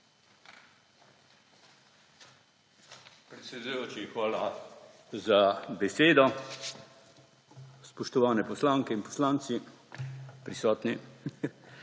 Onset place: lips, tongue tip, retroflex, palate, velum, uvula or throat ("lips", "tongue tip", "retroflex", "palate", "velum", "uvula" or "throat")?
lips